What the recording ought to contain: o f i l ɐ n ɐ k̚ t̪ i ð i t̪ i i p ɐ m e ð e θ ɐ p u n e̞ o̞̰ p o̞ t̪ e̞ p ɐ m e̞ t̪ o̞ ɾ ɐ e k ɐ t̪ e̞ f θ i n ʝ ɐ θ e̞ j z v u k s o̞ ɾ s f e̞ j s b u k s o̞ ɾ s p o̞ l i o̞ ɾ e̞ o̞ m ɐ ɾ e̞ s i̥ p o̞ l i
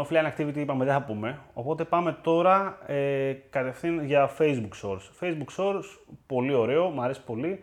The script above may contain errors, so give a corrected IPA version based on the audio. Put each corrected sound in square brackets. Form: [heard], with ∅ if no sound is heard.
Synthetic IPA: o f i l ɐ n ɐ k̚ t̪ i [v] i t̪ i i p ɐ m e ð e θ ɐ p u [m] e̞ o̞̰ p o̞ t̪ e̞ p ɐ m e̞ t̪ o̞ ɾ ɐ e k ɐ t̪ e̞ f θ i n ʝ ɐ [f] e̞ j z [b] u k s o̞ ɾ s f e̞ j [z] b u k s o̞ ɾ s p o̞ l i o̞ ɾ e̞ o̞ m ɐ ɾ e̞ s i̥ p o̞ l i